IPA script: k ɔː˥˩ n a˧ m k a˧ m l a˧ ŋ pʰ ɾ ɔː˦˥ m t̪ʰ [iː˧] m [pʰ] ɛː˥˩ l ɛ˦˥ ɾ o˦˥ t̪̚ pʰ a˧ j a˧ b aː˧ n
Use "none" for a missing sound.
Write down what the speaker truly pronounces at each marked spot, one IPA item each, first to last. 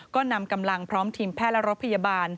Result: iː˧, pʰ

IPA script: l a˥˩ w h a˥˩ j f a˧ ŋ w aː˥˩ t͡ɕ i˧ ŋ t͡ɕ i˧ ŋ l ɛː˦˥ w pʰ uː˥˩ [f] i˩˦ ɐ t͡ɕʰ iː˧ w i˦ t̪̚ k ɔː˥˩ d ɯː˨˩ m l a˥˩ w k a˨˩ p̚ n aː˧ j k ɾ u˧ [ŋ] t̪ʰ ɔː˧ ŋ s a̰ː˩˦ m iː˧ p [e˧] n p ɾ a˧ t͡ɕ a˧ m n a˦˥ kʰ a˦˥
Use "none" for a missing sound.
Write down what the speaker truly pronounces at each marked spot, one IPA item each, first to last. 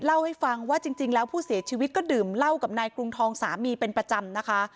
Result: s, ŋ, e˧

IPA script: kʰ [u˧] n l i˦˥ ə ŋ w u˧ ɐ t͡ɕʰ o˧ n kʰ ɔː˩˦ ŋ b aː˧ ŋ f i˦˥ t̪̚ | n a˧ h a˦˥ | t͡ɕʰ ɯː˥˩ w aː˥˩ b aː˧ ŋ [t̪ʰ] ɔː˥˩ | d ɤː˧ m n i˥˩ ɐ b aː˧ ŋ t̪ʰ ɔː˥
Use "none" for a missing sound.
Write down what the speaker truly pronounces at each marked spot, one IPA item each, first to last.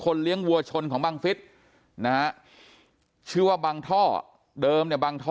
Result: o˧, t̪ʰ

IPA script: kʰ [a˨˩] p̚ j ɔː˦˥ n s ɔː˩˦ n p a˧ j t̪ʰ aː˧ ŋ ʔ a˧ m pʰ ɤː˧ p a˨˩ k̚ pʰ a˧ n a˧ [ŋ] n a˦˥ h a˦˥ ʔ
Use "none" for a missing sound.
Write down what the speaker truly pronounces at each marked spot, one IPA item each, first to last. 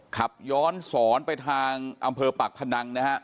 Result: a˨˩, ŋ

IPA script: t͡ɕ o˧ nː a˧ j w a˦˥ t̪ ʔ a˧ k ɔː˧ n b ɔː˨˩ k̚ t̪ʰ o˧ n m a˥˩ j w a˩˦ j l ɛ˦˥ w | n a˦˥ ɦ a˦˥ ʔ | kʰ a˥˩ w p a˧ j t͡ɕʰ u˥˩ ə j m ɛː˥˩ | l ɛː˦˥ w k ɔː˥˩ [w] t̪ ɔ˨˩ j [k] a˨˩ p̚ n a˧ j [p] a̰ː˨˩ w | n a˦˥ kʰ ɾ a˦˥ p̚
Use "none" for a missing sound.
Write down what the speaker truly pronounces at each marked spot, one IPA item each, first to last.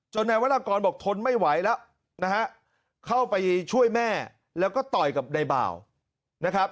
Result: none, k, b

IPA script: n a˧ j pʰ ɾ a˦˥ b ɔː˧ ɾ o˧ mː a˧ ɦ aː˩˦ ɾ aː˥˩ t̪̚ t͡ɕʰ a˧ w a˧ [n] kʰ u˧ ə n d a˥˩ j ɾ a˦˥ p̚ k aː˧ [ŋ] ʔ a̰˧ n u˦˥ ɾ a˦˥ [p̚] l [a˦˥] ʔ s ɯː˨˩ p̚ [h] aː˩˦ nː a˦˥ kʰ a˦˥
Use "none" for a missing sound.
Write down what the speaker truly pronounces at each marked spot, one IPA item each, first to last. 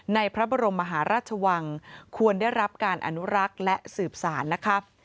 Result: ŋ, n, k̚, ɛ˦˥, s

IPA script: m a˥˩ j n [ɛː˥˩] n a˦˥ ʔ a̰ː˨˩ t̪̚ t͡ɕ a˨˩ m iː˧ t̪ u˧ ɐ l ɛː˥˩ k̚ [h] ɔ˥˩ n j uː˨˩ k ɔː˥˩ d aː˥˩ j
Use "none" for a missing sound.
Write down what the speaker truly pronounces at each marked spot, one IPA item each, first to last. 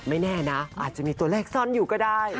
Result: ɛː˥˩, s

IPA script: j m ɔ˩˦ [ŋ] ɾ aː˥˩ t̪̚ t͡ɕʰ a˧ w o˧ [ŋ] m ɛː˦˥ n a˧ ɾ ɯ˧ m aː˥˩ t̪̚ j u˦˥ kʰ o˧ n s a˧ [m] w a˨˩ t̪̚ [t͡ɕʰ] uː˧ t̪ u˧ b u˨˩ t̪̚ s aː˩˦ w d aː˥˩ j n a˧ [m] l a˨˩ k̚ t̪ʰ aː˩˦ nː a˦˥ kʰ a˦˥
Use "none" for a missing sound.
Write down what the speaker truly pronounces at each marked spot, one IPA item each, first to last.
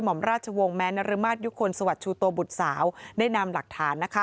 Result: m, ŋ, none, t͡ɕʰ, m

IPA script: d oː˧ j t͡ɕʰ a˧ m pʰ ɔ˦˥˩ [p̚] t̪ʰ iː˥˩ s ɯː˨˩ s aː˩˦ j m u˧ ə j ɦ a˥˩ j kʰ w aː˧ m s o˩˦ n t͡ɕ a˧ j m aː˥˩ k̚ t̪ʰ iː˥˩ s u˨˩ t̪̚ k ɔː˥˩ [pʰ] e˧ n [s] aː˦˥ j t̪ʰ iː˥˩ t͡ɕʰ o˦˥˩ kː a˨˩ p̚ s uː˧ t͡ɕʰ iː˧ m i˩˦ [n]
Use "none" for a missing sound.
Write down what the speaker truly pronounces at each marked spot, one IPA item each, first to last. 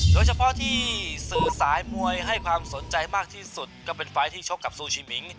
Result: none, p, f, ŋ

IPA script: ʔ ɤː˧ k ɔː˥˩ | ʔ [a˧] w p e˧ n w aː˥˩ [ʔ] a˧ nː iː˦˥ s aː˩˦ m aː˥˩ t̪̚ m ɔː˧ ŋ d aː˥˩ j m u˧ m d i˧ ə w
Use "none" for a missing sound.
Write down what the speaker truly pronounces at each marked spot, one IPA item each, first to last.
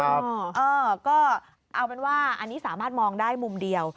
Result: a˧, ʔ

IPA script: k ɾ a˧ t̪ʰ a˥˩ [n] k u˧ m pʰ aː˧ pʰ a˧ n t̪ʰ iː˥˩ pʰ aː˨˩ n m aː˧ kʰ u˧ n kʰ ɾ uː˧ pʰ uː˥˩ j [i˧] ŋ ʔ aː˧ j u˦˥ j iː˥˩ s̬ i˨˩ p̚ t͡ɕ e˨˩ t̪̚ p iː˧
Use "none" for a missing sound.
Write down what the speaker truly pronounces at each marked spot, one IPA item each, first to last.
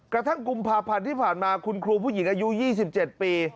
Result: ŋ, i˩˦

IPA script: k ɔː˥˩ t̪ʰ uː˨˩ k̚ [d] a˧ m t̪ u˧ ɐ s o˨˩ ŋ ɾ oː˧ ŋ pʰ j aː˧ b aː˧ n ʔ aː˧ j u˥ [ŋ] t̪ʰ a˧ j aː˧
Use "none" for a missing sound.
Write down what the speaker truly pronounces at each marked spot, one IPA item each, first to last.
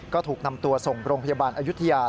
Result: n, none

